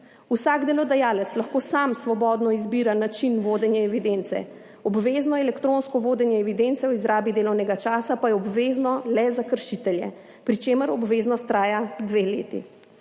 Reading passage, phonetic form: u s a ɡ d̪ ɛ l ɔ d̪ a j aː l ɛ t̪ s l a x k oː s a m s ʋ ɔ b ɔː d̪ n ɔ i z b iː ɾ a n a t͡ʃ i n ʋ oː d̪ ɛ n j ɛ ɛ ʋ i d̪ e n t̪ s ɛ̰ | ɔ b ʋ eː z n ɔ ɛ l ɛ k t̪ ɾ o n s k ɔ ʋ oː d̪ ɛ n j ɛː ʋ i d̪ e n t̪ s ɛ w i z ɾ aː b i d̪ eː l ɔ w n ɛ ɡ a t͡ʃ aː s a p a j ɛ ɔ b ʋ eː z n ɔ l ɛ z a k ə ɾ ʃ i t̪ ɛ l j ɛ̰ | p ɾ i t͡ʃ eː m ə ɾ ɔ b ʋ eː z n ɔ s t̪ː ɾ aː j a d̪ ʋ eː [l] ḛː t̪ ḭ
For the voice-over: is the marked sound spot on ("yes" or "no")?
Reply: yes